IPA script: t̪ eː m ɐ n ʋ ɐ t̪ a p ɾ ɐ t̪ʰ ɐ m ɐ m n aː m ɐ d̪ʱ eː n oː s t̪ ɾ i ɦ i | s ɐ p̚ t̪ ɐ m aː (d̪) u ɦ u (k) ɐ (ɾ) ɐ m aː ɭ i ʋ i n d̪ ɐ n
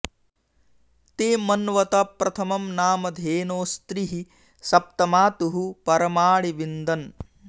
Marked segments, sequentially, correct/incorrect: incorrect: t̪, incorrect: p, correct

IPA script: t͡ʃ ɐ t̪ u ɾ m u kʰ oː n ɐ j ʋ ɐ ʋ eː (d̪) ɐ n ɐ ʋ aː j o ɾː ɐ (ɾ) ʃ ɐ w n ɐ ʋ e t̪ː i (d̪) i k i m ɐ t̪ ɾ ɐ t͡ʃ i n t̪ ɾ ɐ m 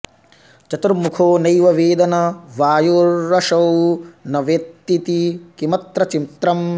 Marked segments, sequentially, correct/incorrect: correct, incorrect: none, incorrect: t̪

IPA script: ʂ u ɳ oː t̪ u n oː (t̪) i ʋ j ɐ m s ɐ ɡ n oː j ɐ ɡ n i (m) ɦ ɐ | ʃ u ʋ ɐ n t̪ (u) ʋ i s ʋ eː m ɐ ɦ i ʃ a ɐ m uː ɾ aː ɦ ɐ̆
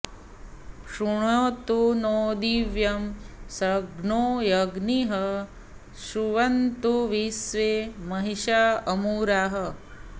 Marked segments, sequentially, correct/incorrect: incorrect: d̪, incorrect: none, correct

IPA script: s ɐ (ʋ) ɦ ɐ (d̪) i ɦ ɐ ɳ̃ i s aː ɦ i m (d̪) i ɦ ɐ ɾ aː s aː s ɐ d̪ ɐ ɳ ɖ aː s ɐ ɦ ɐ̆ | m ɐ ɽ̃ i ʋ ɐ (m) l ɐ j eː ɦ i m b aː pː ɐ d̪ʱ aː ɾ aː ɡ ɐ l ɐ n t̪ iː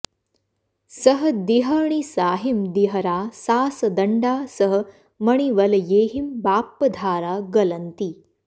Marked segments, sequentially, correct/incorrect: incorrect: none, correct, correct, incorrect: none

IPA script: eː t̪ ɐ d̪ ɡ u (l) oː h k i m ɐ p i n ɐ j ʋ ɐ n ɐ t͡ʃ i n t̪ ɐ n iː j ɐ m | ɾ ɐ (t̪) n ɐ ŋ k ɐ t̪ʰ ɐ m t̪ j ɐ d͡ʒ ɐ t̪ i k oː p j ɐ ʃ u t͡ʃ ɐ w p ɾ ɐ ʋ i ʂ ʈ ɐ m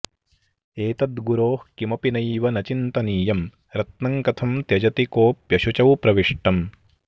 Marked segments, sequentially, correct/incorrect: incorrect: ɾ, correct

